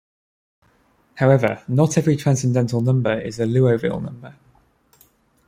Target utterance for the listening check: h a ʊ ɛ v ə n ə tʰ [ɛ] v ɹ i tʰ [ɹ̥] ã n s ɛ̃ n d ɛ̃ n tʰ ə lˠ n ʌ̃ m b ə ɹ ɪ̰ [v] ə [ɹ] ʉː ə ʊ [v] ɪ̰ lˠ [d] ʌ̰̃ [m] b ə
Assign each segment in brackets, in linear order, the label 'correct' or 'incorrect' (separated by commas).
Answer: correct, correct, incorrect, incorrect, correct, incorrect, correct